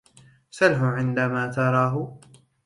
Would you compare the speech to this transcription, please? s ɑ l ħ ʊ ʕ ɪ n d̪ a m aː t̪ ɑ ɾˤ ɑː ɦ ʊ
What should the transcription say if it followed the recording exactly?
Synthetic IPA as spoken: s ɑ l ħ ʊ ʕ ɪ n d̪ a m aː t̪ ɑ ɾˤ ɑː ɦ ʊ